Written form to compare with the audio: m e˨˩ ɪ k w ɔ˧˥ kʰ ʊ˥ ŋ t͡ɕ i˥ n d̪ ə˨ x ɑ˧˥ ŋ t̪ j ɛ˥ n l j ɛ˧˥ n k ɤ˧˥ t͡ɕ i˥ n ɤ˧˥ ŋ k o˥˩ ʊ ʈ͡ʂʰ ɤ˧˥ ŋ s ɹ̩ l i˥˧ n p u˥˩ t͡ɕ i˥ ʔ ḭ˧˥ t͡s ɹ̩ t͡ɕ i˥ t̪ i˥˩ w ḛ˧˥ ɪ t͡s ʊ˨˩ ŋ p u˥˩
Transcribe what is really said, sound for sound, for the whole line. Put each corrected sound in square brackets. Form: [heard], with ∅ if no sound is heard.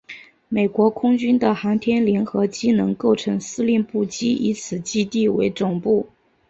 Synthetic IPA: m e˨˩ ɪ k w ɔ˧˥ kʰ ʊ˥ ŋ t͡ɕ [y˥] n d̪ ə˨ x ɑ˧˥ ŋ [t̪ʰ] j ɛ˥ n l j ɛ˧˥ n [x] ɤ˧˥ t͡ɕ i˥ n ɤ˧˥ ŋ k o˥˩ ʊ ʈ͡ʂʰ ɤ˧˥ ŋ s ɹ̩ l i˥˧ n p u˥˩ t͡ɕ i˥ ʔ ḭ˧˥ [t͡sʰ] ɹ̩ t͡ɕ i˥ t̪ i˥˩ w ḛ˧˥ ɪ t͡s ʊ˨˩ ŋ p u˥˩

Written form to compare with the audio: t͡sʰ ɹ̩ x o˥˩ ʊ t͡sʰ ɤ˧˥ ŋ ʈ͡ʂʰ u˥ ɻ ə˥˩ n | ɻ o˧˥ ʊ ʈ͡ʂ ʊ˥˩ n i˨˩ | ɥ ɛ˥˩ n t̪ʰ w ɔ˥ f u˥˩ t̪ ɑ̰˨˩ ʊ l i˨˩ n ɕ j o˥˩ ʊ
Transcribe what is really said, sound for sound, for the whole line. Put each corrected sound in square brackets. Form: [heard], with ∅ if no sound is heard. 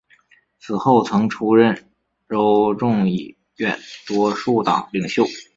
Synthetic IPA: t͡sʰ ɹ̩ x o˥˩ ʊ t͡sʰ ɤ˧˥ ŋ ʈ͡ʂʰ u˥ ɻ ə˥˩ n | ɻ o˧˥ ʊ ʈ͡ʂ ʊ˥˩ [ŋ] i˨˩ | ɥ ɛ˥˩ n [t̪] w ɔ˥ [ʂ] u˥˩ t̪ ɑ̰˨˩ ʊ l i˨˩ [ŋ] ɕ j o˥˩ ʊ

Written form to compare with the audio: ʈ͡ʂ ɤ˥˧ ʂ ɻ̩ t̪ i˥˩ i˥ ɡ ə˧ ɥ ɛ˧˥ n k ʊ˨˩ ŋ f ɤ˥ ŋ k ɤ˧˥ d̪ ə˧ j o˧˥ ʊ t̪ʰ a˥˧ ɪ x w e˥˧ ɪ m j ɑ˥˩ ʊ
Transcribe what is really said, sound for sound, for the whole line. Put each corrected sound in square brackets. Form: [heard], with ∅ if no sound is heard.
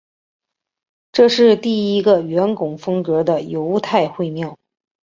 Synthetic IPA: ʈ͡ʂ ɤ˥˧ ʂ ɻ̩ t̪ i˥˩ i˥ ɡ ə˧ ɥ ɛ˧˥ n k ʊ˨˩ ŋ f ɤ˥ ŋ k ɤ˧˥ d̪ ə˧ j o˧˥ ʊ t̪ʰ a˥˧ ɪ x w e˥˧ ɪ m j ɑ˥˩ ʊ

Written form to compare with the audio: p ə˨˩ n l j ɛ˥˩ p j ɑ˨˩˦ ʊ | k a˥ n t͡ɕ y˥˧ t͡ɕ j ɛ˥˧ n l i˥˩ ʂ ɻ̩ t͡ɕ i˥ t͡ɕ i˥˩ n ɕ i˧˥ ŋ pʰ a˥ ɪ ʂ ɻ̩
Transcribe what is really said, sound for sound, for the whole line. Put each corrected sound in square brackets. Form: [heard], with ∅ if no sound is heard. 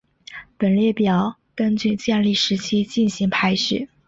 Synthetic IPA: p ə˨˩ n l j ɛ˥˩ p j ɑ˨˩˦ ʊ | k [ə˥] n t͡ɕ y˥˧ t͡ɕ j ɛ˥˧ n l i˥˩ ʂ ɻ̩ [t͡ɕʰ] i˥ t͡ɕ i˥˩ n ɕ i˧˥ ŋ pʰ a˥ ɪ ʂ ɻ̩

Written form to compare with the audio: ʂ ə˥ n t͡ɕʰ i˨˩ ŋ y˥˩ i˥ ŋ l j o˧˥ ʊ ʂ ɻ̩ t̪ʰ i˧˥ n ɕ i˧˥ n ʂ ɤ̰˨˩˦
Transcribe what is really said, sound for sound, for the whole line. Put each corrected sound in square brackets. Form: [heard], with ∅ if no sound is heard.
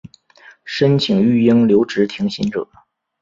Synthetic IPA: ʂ ə˥ n t͡ɕʰ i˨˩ ŋ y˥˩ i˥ ŋ l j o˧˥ ʊ [ʈ͡ʂ] ɻ̩ t̪ʰ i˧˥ [ŋ] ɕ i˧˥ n [ʈ͡ʂ] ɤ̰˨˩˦

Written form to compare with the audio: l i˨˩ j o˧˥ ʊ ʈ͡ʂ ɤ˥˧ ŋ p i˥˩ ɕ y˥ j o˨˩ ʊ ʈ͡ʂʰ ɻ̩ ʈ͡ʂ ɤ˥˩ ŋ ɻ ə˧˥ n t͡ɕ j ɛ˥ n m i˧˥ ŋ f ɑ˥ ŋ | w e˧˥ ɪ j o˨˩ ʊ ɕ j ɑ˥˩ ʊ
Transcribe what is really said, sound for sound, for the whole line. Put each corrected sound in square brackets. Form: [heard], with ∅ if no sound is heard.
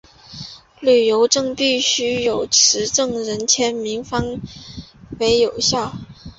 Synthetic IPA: l [y˨˩] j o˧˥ ʊ ʈ͡ʂ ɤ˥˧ ŋ p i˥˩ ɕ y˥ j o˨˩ ʊ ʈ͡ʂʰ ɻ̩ ʈ͡ʂ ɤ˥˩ ŋ ɻ ə˧˥ n [t͡ɕʰ] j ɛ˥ n m i˧˥ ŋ f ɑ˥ ŋ | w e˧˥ ɪ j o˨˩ ʊ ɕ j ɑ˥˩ ʊ

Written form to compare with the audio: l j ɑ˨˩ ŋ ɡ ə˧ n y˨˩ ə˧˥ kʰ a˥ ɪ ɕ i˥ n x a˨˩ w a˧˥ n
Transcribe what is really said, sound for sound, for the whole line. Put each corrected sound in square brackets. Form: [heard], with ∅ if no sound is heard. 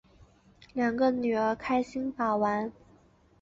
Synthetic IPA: l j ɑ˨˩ ŋ ɡ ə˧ n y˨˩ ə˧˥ kʰ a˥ ɪ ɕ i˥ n [f] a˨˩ w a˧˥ n

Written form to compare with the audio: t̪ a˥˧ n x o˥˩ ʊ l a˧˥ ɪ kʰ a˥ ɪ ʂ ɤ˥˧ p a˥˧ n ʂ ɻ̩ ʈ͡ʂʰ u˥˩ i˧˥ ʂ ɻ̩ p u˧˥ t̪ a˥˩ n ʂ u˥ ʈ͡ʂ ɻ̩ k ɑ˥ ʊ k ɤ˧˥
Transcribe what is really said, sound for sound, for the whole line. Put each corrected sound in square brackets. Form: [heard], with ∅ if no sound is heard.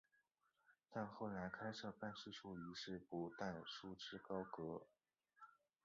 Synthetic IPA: t̪ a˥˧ n x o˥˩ ʊ l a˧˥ ɪ kʰ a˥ ɪ ʂ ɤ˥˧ p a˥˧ n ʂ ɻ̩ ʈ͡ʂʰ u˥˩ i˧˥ ʂ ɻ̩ p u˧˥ t̪ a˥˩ n ʂ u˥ ʈ͡ʂ ɻ̩ k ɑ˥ ʊ k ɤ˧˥

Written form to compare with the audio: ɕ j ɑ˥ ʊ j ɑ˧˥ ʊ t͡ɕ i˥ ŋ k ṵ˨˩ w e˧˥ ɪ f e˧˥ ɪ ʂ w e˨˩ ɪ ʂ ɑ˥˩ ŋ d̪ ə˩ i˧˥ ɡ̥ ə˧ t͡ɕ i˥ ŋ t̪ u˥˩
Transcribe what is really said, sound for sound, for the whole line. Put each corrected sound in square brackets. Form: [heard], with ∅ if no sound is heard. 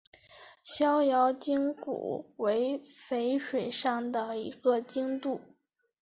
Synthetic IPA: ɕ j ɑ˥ ʊ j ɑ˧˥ ʊ t͡ɕ i˥ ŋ k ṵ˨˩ w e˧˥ ɪ f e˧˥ ɪ ʂ w e˨˩ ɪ ʂ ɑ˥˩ ŋ d̪ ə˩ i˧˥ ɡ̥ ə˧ t͡ɕ i˥ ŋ t̪ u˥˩

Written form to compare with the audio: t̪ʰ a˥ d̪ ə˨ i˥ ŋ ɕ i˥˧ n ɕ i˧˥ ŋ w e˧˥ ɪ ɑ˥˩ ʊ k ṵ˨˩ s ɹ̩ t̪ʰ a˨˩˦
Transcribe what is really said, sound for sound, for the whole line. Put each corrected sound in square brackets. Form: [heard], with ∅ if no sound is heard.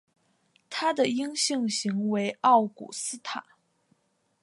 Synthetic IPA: t̪ʰ a˥ d̪ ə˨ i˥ ŋ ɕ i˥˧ [ŋ] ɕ i˧˥ ŋ w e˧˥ ɪ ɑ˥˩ ʊ k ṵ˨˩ s ɹ̩ t̪ʰ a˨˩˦

